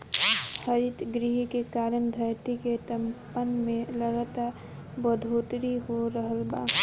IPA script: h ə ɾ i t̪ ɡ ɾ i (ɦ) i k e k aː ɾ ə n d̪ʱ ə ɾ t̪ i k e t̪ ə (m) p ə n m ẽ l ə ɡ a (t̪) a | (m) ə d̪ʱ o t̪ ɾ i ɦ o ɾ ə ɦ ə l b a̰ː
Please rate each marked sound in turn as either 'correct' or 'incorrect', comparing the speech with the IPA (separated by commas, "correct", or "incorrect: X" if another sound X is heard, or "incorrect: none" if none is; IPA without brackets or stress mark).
correct, correct, correct, incorrect: b